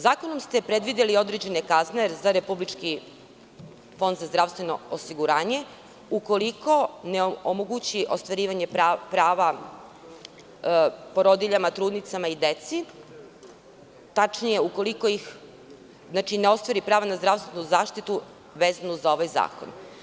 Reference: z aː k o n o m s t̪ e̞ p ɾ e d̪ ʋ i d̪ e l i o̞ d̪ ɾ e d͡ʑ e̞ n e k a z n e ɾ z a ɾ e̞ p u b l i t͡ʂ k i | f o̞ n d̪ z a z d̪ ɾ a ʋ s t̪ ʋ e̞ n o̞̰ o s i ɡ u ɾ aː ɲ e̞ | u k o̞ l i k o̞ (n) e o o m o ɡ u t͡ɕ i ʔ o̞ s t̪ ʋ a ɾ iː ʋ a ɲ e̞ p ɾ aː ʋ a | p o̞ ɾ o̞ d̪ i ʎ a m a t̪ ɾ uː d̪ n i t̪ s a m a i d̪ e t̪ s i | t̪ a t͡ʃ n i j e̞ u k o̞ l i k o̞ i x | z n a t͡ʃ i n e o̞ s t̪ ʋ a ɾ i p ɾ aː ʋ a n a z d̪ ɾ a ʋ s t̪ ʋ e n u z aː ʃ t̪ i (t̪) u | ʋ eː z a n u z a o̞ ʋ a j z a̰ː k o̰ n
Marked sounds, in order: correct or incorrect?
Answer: correct, correct

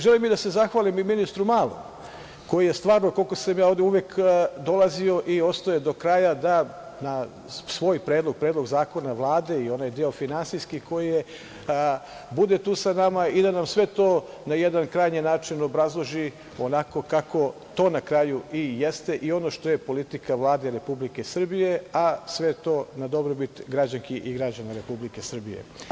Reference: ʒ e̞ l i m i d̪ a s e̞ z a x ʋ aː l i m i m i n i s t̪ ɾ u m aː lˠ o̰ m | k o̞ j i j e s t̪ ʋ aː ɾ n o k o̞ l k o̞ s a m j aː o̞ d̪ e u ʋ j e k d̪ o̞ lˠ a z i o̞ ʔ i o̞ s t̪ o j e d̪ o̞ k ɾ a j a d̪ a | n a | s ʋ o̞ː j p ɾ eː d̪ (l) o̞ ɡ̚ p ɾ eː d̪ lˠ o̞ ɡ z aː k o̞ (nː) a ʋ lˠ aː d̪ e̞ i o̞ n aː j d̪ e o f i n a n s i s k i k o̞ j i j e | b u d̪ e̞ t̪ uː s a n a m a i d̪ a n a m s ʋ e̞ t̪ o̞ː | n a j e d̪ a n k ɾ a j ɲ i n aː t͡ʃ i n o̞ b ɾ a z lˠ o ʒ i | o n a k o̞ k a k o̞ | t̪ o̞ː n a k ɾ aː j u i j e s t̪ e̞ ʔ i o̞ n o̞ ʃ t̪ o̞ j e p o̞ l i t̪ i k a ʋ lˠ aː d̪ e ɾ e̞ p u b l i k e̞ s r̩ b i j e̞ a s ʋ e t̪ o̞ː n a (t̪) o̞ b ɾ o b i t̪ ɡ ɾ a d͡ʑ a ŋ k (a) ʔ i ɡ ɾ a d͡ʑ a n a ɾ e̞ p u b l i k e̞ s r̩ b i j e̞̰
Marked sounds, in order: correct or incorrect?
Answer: correct, incorrect: n, incorrect: d̪, incorrect: i

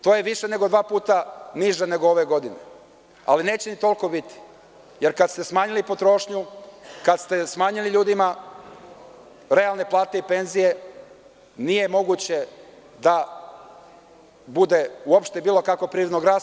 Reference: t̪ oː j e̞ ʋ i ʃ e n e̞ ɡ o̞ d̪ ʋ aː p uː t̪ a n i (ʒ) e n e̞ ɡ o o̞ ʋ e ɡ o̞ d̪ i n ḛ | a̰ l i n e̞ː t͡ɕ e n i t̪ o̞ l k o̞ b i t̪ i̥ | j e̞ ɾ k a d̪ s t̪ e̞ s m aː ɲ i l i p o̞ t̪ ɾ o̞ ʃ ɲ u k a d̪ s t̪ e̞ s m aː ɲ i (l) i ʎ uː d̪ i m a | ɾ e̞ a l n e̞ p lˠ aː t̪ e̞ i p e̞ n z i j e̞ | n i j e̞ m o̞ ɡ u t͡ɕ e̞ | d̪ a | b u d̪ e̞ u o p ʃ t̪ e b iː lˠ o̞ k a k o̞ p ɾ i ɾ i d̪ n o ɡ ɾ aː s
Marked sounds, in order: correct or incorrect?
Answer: correct, correct

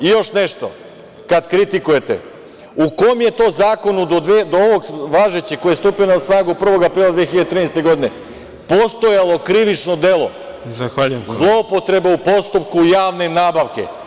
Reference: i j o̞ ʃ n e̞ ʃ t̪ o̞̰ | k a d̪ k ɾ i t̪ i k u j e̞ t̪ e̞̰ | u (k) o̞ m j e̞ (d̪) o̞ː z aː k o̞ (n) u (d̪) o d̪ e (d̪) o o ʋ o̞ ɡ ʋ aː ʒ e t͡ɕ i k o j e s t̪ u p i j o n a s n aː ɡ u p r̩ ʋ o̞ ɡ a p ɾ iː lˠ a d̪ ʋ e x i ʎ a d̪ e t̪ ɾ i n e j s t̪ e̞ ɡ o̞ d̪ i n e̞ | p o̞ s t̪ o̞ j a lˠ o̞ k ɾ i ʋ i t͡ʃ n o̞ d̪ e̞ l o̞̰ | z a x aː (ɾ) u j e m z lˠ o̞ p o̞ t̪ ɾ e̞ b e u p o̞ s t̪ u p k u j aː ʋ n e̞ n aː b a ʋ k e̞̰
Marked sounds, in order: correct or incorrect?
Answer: correct, incorrect: t̪, correct, correct, correct, incorrect: ʎ

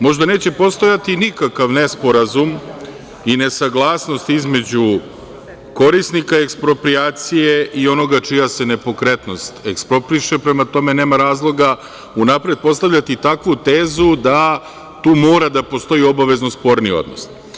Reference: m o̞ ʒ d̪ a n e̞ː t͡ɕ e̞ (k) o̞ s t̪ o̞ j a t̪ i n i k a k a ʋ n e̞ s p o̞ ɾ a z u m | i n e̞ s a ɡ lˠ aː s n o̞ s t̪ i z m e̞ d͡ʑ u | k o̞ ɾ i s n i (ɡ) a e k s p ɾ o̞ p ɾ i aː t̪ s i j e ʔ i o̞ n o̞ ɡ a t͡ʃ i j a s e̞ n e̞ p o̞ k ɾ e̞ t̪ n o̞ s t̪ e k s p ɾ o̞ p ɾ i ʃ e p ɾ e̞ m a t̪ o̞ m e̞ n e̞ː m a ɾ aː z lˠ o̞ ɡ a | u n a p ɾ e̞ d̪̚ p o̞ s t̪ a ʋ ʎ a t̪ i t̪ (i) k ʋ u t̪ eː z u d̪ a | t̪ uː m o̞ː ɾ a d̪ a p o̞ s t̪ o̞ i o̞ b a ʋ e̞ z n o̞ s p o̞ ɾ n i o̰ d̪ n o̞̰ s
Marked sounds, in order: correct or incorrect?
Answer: incorrect: p, incorrect: k, incorrect: a

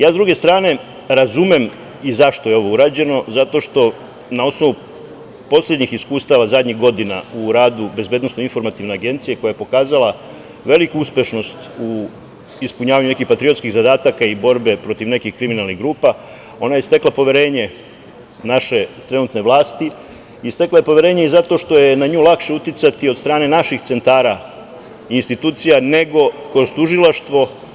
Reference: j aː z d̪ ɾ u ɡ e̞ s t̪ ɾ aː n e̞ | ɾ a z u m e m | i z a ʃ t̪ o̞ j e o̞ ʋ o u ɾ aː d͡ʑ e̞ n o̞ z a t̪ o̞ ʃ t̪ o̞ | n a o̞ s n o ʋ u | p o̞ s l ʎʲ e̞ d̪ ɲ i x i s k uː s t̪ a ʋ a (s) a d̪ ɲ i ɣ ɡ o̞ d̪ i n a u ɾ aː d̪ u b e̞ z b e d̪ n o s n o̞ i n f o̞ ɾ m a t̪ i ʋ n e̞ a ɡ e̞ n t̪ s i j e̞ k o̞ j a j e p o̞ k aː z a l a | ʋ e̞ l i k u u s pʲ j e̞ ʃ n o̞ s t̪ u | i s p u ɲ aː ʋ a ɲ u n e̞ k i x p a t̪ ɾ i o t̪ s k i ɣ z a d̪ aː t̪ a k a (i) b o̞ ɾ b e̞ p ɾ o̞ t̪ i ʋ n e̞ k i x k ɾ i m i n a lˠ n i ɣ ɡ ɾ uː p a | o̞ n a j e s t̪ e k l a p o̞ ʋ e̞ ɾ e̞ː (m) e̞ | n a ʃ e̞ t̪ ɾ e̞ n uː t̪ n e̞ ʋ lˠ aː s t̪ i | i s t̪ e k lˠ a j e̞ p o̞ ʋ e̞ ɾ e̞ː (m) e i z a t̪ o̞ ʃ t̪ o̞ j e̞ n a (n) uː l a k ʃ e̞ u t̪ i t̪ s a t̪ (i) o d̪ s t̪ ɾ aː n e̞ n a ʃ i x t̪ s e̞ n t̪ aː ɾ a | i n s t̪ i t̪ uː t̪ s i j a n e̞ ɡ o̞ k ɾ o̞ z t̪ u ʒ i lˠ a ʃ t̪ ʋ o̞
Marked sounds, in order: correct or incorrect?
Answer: incorrect: z, correct, incorrect: ɲ, incorrect: ɲ, incorrect: ɲ, correct

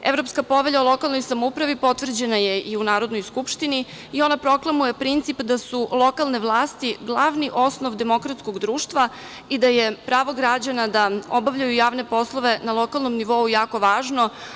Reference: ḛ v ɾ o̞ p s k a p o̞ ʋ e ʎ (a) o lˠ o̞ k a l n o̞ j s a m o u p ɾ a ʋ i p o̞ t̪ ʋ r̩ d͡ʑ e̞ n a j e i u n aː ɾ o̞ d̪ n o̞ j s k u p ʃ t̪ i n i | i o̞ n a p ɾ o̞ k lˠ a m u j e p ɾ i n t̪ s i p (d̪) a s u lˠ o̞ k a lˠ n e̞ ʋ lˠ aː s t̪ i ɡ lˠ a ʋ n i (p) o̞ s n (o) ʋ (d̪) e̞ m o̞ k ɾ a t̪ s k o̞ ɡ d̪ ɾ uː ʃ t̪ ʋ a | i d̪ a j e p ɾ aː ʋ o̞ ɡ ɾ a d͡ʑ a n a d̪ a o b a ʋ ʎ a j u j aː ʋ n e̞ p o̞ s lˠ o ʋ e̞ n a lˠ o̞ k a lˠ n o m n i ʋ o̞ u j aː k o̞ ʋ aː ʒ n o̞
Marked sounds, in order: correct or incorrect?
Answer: correct, correct, incorrect: ʔ, correct, correct

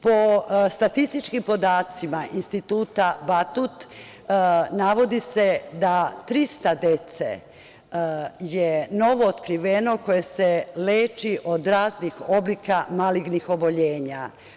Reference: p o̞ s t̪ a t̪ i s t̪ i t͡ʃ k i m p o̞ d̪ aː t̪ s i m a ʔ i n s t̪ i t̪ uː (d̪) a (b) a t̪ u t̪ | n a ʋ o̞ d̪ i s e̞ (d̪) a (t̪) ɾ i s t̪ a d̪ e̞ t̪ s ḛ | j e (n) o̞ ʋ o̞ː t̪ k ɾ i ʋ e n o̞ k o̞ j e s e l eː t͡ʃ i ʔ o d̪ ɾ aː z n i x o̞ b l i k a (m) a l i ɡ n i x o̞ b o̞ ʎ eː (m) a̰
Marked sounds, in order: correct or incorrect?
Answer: incorrect: t̪, correct, correct, correct, correct, correct, incorrect: ɲ

